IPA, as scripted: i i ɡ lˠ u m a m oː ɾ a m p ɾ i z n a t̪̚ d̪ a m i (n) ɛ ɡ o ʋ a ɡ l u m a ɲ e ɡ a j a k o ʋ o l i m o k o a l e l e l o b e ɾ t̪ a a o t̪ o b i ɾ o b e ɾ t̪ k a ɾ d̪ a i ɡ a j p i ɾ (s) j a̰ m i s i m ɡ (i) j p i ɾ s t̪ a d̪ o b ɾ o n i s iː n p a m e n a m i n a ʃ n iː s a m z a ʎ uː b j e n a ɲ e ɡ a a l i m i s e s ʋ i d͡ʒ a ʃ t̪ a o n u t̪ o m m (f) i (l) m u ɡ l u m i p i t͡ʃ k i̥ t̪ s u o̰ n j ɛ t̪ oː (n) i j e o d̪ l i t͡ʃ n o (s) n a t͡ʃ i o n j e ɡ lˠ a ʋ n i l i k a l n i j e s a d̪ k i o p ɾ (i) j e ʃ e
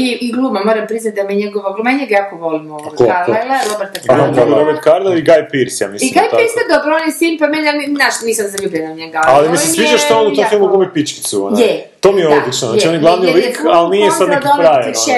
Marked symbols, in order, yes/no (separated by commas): no, yes, no, yes, yes, no, no, no